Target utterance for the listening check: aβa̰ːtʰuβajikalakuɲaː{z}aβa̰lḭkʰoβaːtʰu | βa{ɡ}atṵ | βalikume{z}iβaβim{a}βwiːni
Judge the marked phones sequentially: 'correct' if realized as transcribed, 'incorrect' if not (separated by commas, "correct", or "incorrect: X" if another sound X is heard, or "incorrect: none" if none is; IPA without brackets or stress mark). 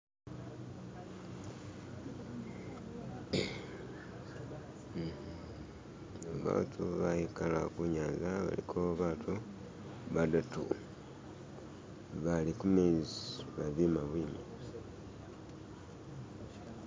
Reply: correct, incorrect: d, correct, correct